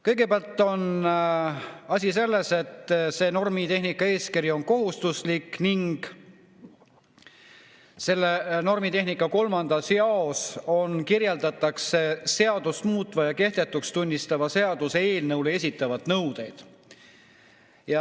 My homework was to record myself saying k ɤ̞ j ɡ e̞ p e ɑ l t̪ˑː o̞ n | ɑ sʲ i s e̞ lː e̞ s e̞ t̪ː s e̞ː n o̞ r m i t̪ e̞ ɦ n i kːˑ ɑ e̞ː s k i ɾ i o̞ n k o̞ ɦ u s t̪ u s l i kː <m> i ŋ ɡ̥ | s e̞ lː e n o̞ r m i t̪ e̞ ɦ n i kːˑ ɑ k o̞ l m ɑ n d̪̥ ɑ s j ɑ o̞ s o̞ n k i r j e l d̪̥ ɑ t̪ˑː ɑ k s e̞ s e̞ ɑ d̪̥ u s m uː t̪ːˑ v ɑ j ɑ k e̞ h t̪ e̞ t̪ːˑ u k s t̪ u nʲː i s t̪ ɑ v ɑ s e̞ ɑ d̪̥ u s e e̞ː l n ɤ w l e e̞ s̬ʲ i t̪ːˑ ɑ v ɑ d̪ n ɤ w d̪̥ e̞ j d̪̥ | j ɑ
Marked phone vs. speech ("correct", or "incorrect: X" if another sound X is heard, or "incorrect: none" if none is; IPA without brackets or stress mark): incorrect: n